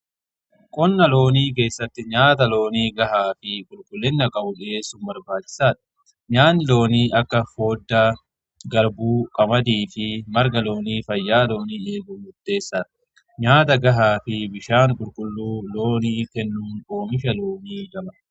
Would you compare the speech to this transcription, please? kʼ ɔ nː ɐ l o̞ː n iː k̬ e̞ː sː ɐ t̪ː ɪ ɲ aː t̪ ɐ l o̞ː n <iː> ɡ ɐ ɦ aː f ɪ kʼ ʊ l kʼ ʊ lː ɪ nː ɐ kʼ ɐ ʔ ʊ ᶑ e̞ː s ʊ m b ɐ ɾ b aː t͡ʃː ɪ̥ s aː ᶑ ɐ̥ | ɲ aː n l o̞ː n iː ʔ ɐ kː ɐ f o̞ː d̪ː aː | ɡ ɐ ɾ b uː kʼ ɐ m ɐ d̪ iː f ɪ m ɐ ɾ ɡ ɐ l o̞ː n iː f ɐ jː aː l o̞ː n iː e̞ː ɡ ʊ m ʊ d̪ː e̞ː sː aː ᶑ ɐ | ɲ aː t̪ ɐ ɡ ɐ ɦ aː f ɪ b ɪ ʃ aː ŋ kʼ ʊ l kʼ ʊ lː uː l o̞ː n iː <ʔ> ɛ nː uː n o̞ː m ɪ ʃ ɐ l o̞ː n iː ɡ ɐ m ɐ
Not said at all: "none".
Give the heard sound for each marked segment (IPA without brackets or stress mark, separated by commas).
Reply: iː, k